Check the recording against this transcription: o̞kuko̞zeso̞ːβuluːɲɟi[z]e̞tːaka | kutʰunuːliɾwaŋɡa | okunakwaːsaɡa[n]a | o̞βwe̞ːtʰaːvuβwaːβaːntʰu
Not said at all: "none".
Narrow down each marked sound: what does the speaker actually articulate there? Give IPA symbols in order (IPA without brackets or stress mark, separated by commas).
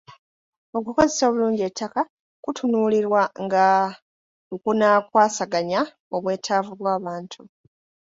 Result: none, ɲ